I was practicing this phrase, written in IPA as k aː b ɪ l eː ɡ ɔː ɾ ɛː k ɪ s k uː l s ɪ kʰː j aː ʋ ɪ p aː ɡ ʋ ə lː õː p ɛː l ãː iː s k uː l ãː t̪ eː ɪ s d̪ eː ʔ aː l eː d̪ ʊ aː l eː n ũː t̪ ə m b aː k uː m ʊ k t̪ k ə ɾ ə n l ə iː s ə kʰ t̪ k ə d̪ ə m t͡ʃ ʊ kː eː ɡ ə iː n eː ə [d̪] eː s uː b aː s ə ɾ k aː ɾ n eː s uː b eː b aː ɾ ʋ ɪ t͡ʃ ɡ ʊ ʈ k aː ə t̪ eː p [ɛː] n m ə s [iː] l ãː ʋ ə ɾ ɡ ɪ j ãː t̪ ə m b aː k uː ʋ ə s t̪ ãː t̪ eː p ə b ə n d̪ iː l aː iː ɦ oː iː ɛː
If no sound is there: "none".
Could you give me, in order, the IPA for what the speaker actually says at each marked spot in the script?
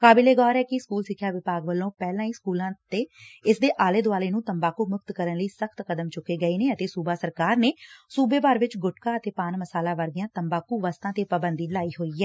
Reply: t̪, aː, aː

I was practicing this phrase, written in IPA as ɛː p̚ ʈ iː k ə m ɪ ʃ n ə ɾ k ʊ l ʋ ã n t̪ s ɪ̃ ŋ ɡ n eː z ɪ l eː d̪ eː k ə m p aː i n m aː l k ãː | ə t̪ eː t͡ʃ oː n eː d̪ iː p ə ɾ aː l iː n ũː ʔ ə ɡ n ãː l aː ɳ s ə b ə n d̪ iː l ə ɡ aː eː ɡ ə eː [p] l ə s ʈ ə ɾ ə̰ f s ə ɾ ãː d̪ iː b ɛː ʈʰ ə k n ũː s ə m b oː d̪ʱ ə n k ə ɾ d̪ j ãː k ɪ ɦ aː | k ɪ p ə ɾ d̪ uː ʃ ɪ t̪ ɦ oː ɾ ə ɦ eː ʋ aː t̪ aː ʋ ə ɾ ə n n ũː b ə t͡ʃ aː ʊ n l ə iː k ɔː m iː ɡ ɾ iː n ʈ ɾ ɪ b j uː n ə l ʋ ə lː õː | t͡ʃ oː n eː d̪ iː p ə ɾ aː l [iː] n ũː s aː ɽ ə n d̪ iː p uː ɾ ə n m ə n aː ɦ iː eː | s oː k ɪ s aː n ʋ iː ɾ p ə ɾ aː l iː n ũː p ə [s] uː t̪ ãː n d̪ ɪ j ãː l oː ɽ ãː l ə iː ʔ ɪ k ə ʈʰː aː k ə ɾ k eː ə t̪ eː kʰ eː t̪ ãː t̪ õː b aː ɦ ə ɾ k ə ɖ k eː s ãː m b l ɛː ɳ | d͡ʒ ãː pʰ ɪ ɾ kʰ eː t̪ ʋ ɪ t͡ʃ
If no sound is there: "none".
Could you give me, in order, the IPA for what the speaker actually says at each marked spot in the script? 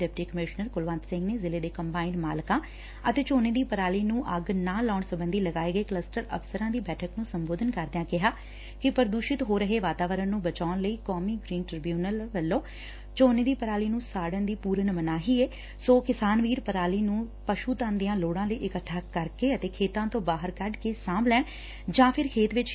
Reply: k, iː, ʃ

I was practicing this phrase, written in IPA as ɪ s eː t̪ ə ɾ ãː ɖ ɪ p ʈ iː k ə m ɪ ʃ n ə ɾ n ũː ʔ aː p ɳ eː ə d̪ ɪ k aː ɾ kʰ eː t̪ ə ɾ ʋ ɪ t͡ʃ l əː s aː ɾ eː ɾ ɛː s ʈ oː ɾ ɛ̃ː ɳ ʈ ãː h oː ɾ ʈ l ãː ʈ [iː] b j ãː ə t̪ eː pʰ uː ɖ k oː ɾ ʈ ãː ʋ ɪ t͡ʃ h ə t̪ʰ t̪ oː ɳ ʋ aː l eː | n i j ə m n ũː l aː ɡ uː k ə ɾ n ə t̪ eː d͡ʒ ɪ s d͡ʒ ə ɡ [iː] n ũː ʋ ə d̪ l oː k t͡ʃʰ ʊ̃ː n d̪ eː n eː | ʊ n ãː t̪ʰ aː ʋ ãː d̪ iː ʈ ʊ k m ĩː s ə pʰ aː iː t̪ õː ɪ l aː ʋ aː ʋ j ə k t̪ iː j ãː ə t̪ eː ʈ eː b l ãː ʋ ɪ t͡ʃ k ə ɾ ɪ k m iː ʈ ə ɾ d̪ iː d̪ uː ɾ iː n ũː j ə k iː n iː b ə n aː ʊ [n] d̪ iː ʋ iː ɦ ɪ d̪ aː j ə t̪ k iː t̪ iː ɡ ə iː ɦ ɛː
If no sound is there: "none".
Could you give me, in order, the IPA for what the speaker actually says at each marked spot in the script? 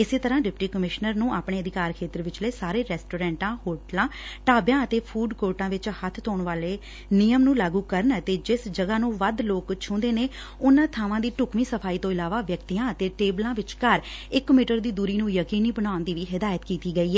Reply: aː, aː, n

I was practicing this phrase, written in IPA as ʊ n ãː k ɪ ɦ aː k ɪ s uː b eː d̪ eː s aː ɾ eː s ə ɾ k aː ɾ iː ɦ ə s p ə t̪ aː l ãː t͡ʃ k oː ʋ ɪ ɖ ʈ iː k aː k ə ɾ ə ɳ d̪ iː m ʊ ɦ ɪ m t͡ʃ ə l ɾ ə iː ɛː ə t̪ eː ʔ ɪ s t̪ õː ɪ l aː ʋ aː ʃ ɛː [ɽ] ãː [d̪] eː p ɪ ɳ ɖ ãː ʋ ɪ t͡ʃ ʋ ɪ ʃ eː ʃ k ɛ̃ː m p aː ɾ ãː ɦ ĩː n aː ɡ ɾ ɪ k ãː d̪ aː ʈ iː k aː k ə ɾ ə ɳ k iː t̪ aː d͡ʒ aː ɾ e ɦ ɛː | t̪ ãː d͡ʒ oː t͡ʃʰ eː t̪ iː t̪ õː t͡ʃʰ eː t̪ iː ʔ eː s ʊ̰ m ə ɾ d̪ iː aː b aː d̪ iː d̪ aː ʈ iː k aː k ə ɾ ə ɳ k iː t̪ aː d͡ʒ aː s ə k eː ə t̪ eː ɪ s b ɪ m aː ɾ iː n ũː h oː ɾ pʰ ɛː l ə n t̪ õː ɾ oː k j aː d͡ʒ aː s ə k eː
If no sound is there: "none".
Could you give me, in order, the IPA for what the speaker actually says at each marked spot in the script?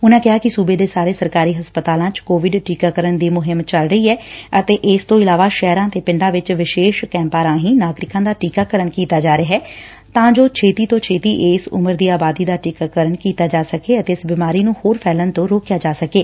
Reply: ɾ, t̪

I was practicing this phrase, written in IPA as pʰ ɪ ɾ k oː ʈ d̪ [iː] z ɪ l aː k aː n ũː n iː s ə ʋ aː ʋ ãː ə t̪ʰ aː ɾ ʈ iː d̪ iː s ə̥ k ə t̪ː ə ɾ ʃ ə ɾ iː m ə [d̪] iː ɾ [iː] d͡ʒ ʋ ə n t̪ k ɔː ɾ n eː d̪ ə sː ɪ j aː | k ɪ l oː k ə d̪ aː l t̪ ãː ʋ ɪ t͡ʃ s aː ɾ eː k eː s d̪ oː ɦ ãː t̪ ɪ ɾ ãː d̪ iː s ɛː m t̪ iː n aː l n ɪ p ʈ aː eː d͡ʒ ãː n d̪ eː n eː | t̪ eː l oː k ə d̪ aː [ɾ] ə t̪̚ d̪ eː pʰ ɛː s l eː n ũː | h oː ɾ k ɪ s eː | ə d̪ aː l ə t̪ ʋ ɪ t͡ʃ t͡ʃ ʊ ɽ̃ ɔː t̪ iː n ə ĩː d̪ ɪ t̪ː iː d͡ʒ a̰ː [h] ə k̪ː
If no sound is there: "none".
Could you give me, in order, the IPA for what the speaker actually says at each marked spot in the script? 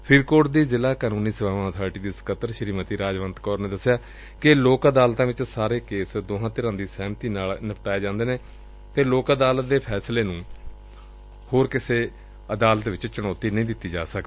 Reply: iː, t̪, aː, l, s

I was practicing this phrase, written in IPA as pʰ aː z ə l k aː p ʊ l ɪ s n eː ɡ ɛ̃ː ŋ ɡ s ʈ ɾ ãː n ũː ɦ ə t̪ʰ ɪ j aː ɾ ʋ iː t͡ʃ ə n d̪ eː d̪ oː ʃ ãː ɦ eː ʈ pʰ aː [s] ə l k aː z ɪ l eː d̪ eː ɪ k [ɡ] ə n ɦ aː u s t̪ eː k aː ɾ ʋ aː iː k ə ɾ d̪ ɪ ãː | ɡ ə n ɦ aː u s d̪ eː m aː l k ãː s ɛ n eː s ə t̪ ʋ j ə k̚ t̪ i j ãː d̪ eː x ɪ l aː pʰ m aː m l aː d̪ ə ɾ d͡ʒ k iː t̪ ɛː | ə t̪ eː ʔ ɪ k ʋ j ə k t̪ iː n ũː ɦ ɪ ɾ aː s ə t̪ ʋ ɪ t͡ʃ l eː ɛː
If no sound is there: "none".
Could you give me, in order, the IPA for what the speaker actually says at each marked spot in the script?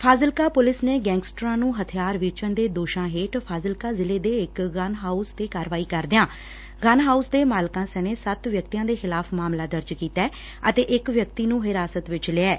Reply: z, ɡ

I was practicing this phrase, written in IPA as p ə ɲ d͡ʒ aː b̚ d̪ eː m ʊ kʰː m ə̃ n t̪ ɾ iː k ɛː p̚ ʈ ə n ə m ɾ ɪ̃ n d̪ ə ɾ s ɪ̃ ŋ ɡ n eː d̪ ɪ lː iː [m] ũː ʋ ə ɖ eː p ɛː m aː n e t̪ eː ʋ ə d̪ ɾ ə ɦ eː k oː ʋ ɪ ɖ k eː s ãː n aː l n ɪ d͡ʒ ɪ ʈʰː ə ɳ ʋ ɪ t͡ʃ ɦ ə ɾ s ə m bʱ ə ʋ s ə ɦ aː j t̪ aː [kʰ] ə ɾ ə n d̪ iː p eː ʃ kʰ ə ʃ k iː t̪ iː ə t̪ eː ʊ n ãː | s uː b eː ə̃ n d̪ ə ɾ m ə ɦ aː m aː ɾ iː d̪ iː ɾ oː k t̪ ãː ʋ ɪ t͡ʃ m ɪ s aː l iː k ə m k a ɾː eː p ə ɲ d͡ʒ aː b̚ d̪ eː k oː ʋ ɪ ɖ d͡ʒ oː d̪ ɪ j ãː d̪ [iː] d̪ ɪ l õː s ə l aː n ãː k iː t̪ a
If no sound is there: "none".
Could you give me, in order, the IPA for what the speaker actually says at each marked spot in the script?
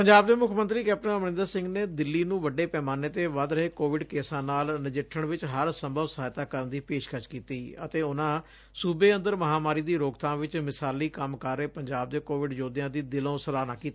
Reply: n, k, iː

